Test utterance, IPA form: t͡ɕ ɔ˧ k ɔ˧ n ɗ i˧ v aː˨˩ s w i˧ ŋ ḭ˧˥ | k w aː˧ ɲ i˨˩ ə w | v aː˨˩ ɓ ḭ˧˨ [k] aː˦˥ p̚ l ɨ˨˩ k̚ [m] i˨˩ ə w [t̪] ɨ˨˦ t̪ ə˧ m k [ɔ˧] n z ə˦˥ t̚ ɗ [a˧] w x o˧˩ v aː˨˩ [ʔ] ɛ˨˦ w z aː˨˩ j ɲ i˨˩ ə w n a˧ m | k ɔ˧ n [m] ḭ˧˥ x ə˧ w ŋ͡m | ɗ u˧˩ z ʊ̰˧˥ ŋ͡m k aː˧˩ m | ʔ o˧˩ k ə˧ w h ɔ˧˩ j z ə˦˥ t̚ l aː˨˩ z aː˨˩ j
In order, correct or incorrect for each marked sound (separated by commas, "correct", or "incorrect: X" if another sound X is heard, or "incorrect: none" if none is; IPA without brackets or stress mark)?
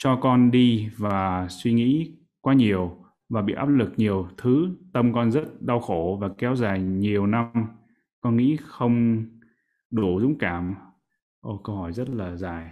incorrect: ʔ, incorrect: ɲ, incorrect: t̪ʰ, correct, correct, incorrect: k, incorrect: ŋ